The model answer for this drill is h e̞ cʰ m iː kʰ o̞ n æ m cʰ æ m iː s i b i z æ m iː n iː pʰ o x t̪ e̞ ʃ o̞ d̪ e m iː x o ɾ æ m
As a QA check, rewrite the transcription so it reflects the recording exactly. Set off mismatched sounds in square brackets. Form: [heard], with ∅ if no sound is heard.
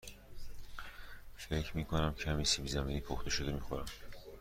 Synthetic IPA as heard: [f] e̞ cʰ m iː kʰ o̞ n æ m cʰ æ m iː s i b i z æ m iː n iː pʰ o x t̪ e̞ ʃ o̞ d̪ e m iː x o ɾ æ m